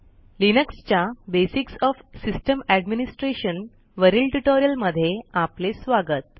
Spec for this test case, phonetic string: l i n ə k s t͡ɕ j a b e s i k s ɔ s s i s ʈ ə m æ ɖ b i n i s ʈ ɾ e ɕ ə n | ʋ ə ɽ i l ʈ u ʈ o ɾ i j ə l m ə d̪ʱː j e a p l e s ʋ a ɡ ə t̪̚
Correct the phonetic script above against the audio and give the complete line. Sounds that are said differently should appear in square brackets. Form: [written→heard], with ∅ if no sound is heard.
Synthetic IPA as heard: l i n ə k s t͡ɕ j a b e s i k s ɔ [s→f] s i s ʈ ə m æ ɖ [b→m] i n i s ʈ ɾ e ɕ ə n | ʋ ə [ɽ→ɾ] i l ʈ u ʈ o ɾ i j ə l m ə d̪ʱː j e a p l e s ʋ a ɡ ə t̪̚